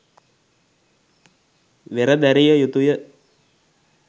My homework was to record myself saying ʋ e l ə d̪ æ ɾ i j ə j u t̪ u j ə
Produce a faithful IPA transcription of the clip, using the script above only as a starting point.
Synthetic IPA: ʋ e ɾ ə d̪ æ ɾ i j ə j u t̪ u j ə